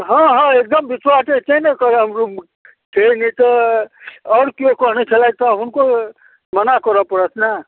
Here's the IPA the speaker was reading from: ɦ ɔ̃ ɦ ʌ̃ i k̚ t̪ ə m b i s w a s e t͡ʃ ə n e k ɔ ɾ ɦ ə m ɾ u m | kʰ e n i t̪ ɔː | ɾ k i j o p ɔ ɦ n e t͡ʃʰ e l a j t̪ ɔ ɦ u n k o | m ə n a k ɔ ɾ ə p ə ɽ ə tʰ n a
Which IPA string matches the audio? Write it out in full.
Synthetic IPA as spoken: ɦ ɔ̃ ɦ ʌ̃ e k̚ d̪ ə m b i s w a s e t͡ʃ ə n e k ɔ ɾ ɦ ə m ɾ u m | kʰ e n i t̪ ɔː | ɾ k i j o k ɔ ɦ n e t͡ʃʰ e l a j t̪ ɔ ɦ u n k o | m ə n a k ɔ ɾ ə p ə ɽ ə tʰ n a

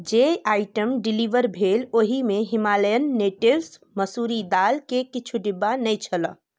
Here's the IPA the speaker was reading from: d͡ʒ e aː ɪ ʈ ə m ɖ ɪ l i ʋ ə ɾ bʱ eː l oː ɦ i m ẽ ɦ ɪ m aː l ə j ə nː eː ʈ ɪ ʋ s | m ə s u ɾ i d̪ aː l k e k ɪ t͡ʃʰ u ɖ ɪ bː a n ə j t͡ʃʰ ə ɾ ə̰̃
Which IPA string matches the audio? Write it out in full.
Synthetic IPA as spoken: d͡ʒ e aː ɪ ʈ ə m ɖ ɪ l i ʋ ə ɾ bʱ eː l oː ɦ i m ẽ ɦ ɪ m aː l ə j ə nː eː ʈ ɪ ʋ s | m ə s u ɾ i d̪ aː l k e k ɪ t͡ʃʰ u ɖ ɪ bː a n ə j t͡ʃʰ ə l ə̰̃

